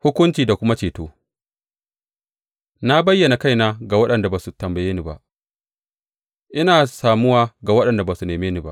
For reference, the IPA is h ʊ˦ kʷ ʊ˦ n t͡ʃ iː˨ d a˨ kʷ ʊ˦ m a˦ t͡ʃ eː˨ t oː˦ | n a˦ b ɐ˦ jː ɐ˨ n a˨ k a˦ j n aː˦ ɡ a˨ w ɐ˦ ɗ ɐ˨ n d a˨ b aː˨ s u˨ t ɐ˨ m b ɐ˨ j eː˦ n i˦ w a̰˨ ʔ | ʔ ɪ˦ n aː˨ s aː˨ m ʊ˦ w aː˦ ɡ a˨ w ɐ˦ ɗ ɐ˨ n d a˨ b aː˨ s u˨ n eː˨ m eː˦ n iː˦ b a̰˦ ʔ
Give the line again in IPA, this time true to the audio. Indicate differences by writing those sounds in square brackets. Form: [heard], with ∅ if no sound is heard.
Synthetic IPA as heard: h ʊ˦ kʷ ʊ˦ n t͡ʃ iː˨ d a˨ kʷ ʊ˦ m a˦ t͡ʃ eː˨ t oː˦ | n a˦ b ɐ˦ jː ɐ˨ n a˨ k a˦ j n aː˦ ɡ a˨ w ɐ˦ ɗ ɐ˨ n d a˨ b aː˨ s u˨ t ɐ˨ m b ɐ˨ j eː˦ n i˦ [b] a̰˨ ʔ | ʔ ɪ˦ n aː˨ s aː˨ m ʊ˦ w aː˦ ɡ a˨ w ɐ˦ ɗ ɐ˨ n d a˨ b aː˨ s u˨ n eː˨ m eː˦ n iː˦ b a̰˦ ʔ